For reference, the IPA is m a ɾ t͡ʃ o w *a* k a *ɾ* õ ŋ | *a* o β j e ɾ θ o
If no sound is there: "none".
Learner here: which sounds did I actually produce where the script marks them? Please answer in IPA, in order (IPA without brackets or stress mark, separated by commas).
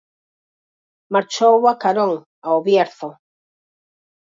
a, ɾ, a